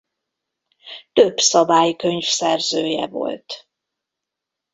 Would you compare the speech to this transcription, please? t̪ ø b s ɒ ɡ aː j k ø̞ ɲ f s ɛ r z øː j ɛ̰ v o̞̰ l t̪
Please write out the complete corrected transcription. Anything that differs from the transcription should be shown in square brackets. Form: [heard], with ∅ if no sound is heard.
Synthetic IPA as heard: t̪ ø b s ɒ [b] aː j k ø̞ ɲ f s ɛ r z øː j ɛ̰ v o̞̰ l t̪